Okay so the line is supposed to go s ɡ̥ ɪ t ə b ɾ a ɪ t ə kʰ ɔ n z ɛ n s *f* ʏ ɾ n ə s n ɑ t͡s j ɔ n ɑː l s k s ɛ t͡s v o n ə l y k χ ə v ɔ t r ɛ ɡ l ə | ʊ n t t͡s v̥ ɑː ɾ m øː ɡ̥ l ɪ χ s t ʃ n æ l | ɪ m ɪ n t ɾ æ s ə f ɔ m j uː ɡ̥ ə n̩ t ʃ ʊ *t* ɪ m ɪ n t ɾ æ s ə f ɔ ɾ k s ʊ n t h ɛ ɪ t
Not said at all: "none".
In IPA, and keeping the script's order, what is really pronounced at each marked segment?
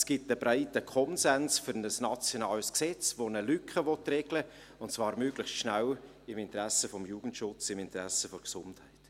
f, t͡s

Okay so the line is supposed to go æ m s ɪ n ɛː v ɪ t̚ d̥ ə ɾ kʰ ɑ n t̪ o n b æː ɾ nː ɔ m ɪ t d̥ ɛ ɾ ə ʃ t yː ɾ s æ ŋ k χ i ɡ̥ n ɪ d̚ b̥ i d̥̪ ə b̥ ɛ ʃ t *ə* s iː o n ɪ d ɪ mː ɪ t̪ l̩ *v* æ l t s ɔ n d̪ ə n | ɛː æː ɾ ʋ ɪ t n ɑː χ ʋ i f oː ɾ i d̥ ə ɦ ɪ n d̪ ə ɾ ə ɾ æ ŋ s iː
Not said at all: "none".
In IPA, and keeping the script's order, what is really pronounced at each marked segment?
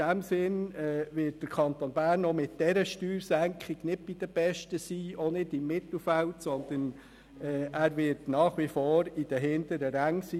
ə, f

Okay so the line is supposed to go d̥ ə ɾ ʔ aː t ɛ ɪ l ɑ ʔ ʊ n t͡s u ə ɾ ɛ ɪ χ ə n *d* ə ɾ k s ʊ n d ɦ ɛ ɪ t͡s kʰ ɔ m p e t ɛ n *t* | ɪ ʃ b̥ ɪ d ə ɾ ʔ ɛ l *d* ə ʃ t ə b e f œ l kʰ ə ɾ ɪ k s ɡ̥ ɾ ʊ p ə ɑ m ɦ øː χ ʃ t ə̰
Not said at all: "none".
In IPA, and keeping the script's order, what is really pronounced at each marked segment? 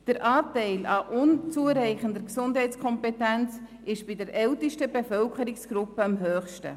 d, t͡s, t

